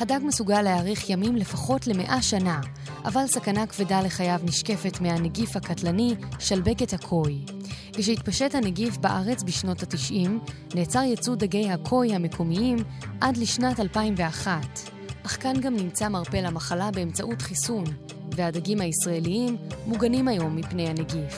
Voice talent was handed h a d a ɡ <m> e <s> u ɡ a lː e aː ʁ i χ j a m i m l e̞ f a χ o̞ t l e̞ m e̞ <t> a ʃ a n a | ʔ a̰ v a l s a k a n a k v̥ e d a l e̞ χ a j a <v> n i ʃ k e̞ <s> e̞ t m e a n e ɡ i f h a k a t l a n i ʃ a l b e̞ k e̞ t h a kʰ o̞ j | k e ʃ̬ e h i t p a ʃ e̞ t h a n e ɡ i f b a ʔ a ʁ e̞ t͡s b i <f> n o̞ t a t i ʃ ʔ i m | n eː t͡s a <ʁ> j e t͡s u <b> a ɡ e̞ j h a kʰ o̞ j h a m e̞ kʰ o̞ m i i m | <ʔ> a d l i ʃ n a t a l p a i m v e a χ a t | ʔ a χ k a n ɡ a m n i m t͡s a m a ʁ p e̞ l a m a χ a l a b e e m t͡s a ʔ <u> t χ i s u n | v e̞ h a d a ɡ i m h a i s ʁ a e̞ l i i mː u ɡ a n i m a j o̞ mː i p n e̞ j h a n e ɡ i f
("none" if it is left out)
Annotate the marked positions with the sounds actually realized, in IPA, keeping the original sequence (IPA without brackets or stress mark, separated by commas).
m, s, ʔ, v, f, ʃ, ʁ, d, ʔ, u